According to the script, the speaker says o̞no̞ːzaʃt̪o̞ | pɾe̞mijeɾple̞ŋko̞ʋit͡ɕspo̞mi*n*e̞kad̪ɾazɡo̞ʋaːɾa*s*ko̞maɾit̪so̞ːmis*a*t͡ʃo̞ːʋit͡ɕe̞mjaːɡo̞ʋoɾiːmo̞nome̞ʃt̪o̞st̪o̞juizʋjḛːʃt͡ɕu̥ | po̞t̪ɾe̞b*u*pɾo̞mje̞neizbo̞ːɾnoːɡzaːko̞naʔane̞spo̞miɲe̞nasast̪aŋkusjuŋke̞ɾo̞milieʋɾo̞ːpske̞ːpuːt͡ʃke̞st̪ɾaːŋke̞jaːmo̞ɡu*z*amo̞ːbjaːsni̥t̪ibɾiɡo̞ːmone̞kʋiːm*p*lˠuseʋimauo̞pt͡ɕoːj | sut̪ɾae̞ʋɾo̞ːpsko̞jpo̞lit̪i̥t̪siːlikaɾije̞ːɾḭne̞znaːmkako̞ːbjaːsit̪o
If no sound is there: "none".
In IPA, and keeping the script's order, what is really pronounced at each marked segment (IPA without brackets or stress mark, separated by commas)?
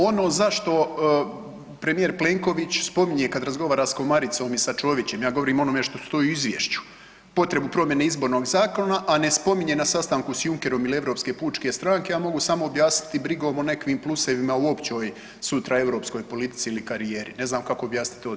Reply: ɲ, s, a, u, s, p